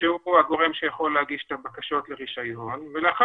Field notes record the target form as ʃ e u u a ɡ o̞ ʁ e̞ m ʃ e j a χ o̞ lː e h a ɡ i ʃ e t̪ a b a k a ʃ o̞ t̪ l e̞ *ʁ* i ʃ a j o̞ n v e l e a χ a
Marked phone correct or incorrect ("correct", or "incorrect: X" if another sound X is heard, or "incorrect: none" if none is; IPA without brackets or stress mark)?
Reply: correct